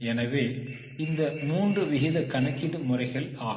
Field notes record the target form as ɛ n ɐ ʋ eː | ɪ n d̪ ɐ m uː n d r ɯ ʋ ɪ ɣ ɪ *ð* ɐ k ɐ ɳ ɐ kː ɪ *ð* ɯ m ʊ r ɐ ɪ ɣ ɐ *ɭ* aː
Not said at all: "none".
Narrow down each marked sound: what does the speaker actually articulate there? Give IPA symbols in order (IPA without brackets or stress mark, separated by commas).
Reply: ð, ð, ɭ